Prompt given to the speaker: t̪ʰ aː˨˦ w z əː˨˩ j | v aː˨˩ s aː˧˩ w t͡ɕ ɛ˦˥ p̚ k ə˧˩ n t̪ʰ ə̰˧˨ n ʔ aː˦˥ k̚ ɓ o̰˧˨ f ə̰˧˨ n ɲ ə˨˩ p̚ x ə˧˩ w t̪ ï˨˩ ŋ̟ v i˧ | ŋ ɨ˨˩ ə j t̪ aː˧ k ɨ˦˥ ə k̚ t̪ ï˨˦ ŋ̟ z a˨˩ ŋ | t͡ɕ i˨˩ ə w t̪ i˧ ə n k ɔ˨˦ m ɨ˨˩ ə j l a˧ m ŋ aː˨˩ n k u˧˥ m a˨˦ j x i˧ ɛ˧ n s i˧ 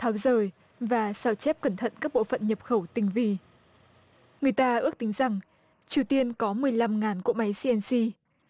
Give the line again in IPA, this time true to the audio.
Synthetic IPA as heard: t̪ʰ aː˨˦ w z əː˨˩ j | v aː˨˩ s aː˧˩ w t͡ɕ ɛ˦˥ p̚ k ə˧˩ n t̪ʰ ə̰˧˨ n k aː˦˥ k̚ ɓ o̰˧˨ f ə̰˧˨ n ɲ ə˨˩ p̚ x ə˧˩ w t̪ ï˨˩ ŋ̟ v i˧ | ŋ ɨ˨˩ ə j t̪ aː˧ ʔ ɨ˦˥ ə k̚ t̪ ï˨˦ ŋ̟ z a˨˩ ŋ | t͡ɕ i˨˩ ə w t̪ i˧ ə n k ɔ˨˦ m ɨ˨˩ ə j l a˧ m ŋ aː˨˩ n k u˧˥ m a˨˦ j s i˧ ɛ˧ n s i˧

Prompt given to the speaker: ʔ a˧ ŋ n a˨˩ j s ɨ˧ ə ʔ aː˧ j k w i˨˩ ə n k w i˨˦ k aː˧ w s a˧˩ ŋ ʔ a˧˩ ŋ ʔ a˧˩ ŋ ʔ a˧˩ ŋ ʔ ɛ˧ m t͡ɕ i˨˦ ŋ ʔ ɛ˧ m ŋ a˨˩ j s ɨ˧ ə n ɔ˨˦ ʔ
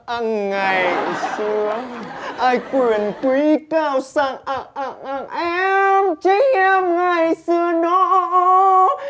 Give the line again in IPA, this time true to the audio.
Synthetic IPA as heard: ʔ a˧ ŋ ŋ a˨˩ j s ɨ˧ ə ʔ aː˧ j k w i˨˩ ə n k w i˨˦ k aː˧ w s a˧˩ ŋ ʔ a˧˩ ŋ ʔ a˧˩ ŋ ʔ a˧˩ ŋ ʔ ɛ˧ m t͡ɕ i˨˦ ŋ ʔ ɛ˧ m ŋ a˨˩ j s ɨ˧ ə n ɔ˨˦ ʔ

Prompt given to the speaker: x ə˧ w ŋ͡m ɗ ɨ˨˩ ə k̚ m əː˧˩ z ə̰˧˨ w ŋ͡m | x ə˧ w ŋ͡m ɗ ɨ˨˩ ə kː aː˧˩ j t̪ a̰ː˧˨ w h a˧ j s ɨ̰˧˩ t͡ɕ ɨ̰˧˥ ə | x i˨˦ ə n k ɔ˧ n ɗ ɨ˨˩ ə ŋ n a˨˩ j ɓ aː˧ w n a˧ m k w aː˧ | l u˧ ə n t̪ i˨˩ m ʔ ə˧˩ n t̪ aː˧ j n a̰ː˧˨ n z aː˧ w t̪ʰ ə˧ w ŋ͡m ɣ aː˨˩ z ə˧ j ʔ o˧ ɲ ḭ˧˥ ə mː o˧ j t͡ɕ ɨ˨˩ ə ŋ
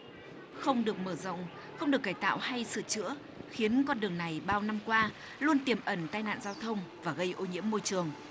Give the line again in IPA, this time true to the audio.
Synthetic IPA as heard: x ə˧ w ŋ͡m ɗ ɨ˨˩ ə k̚ m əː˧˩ z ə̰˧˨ w ŋ͡m | x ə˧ w ŋ͡m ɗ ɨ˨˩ ə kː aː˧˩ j t̪ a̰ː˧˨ w h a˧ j s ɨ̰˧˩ t͡ɕ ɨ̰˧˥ ə | x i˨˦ ə n k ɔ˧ n ɗ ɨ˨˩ ə ŋ n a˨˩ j ɓ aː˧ w n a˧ m k w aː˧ | l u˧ ə n t̪ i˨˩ m ʔ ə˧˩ n t̪ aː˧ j n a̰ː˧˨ n z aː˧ w t̪ʰ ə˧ w ŋ͡m v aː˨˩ ɣ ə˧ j ʔ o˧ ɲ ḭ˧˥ ə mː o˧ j t͡ɕ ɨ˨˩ ə ŋ

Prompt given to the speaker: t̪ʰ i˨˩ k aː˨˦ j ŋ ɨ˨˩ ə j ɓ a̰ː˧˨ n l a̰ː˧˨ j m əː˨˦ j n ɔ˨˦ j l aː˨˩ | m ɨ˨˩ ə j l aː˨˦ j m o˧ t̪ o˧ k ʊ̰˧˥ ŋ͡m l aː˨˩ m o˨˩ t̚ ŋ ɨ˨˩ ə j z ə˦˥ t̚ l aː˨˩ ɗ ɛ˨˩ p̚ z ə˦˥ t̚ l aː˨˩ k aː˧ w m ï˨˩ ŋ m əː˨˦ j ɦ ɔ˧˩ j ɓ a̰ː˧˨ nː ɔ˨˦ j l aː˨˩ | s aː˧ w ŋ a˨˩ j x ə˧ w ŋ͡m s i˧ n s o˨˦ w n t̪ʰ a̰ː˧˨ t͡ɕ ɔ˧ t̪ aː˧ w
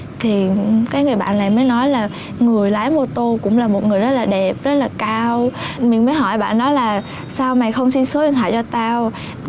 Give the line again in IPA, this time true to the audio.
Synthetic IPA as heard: t̪ʰ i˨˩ k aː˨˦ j ŋ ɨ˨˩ ə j ɓ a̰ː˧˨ n l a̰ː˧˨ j m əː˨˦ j n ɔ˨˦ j l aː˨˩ | ŋ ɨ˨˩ ə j l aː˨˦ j m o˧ t̪ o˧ k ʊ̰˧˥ ŋ͡m l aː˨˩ m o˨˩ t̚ ŋ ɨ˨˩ ə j z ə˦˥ t̚ l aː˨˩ ɗ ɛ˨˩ p̚ z ə˦˥ t̚ l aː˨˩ k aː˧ w m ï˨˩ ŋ m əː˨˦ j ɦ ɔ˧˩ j ɓ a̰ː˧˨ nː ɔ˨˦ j l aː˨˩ | s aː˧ w m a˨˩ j x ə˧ w ŋ͡m s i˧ n s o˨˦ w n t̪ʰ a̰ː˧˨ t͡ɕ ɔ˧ t̪ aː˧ w

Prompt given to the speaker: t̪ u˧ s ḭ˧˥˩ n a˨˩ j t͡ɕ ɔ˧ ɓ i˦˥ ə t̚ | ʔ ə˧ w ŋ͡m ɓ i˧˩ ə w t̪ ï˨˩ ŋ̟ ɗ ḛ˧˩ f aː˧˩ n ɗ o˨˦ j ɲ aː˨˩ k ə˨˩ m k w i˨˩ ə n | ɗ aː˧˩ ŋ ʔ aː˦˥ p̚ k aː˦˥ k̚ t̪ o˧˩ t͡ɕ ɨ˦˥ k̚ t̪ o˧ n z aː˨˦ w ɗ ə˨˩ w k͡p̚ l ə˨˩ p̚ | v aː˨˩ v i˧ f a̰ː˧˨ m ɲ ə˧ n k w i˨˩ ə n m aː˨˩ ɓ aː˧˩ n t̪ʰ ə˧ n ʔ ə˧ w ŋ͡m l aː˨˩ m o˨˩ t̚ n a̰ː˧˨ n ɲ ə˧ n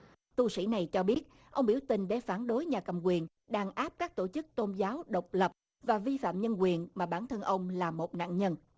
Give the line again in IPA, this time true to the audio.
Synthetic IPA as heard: t̪ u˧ s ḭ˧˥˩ n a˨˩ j t͡ɕ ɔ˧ ɓ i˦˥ ə t̚ | ʔ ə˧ w ŋ͡m ɓ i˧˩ ə w t̪ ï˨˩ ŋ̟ ɗ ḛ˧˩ f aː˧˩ n ɗ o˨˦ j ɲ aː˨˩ k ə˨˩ m k w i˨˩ ə n | ɗ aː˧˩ ŋ ʔ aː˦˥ p̚ k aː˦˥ k̚ t̪ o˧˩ t͡ɕ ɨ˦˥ k̚ t̪ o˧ n z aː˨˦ w ɗ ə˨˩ w k͡p̚ l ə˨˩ p̚ | v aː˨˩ v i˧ f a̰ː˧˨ m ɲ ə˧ n k w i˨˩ ə n m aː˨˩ ɓ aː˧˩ n t̪ʰ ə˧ n ʔ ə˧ w ŋ͡m l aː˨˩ m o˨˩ t̚ n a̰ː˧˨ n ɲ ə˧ n

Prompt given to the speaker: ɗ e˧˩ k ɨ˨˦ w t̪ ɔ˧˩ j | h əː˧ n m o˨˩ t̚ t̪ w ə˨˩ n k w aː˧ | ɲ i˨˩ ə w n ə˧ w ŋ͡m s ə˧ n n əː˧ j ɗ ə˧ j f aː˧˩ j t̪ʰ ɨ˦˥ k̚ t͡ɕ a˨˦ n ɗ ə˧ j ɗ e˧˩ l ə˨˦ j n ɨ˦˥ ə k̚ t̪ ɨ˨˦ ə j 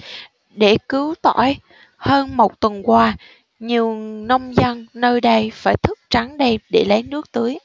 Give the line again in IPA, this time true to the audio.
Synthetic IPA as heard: ɗ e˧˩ k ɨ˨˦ w t̪ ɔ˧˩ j | h əː˧ n m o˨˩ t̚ t̪ w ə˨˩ n k w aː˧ | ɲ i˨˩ ə w n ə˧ w ŋ͡m z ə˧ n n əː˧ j ɗ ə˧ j f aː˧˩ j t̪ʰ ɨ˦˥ k̚ t͡ɕ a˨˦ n ɗ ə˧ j ɗ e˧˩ l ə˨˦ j n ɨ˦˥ ə k̚ t̪ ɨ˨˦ ə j

